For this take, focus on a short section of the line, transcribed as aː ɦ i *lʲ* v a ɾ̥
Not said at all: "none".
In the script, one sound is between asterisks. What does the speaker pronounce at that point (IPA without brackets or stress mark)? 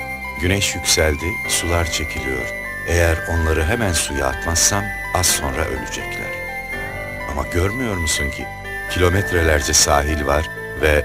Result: lʲ